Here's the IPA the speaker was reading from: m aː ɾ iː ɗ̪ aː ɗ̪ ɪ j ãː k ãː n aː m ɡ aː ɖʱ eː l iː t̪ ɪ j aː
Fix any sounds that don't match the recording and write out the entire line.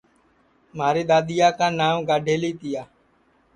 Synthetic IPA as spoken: m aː ɾ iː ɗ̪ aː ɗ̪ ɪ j aː k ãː n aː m ɡ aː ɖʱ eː l iː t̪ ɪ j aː

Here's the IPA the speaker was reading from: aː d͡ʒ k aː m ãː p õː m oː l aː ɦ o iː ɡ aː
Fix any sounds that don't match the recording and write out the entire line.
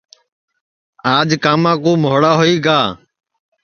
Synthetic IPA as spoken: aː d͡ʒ k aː m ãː k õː m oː ɽ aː ɦ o iː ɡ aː

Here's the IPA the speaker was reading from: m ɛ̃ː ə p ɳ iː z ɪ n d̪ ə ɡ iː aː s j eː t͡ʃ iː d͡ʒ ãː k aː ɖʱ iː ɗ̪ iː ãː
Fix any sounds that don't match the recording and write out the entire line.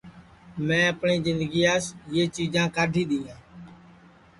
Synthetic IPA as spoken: m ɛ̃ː ə p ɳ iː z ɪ n d̪ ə ɡ iː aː s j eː t͡ʃ iː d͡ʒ ãː k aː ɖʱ iː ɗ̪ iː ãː

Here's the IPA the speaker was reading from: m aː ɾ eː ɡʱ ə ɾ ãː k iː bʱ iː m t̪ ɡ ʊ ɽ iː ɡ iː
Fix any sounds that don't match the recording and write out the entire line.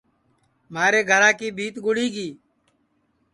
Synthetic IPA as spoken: m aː ɾ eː ɡʱ ə ɾ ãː k iː bʱ iː t̪ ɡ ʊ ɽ iː ɡ iː

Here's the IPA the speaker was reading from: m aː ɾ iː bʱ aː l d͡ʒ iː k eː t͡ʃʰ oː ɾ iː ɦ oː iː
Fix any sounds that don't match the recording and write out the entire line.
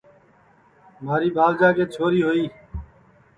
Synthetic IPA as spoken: m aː ɾ iː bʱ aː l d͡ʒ aː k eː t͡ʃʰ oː ɾ iː ɦ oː iː

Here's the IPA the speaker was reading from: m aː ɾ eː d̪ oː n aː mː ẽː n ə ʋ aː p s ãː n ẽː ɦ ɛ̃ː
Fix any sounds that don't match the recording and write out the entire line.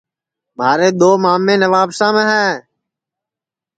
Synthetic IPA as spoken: m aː ɾ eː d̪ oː m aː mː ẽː n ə ʋ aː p s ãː m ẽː ɦ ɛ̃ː

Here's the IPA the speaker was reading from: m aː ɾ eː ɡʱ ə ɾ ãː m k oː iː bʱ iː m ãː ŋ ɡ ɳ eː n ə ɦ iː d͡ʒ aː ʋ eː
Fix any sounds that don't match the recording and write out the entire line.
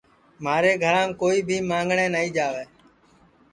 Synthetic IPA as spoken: m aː ɾ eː ɡʱ ə ɾ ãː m k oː iː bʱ iː m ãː ŋ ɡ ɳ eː n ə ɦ iː d͡ʒ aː ʋ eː

